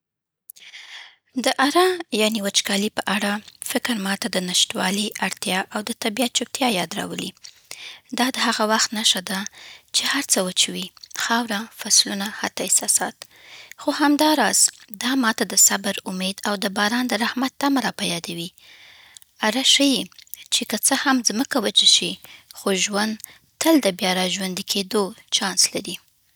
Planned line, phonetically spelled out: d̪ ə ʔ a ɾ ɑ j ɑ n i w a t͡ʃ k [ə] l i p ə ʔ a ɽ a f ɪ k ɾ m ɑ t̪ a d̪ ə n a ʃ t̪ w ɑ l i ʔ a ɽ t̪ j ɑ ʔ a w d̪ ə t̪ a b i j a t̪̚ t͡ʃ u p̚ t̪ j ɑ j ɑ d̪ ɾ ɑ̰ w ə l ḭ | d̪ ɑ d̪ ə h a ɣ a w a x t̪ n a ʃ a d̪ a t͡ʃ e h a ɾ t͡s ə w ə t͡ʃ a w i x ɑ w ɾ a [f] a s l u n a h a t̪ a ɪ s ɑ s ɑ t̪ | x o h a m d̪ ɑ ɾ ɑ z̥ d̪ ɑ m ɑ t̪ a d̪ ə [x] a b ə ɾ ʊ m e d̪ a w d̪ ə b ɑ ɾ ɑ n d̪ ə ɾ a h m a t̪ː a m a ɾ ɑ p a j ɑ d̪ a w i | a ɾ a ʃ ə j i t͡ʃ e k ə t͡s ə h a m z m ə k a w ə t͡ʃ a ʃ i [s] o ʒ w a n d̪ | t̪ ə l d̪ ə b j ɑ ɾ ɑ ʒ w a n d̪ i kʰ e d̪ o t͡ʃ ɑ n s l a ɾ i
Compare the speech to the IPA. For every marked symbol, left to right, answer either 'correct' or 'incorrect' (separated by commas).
incorrect, correct, incorrect, incorrect